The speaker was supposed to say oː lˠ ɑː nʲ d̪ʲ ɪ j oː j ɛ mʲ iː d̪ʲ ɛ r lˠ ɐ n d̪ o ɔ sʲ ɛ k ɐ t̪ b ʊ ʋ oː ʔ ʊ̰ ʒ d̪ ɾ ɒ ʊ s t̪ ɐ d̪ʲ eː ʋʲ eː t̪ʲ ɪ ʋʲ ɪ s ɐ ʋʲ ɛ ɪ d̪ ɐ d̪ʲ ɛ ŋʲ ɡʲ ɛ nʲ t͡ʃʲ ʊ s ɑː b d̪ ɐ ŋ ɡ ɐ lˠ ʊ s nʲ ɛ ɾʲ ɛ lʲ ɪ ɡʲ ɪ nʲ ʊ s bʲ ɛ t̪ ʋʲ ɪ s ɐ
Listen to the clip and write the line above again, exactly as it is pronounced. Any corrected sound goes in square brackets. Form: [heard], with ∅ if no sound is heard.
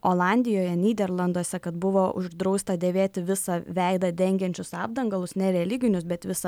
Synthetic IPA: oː lˠ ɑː nʲ d̪ʲ ɪ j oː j ɛ [nʲ] iː d̪ʲ ɛ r lˠ ɐ n d̪ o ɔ sʲ ɛ k ɐ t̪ b ʊ ʋ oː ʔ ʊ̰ ʒ d̪ ɾ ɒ ʊ s t̪ ɐ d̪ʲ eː ʋʲ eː t̪ʲ ɪ ʋʲ ɪ s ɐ ʋʲ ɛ ɪ d̪ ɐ d̪ʲ ɛ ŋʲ ɡʲ ɛ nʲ t͡ʃʲ ʊ s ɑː b d̪ ɐ ŋ ɡ ɐ lˠ ʊ s nʲ ɛ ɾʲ ɛ lʲ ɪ ɡʲ ɪ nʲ ʊ s bʲ ɛ t̪ ʋʲ ɪ s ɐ

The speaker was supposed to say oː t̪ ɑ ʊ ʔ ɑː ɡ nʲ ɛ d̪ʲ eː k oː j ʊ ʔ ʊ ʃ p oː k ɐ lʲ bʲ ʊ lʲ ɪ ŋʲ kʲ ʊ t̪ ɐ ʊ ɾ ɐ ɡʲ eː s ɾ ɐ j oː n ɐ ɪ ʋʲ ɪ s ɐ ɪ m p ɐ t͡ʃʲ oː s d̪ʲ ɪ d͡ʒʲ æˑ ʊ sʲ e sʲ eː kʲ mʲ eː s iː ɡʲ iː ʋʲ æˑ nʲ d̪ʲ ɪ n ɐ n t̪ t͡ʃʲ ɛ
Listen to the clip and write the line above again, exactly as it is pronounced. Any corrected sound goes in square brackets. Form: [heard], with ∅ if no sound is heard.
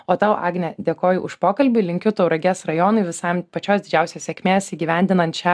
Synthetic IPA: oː t̪ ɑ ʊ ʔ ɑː ɡ nʲ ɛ d̪ʲ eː k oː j ʊ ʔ ʊ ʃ p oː k ɐ lʲ bʲ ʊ lʲ ɪ ŋʲ kʲ ʊ t̪ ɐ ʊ ɾ ɐ ɡʲ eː s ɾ ɐ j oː n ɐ ɪ ʋʲ ɪ s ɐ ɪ m p ɐ t͡ʃʲ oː s d̪ʲ ɪ d͡ʒʲ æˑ ʊ sʲ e sʲ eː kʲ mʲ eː s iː ɡʲ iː ʋʲ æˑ nʲ d̪ʲ ɪ n ɐ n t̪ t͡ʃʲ ɛ

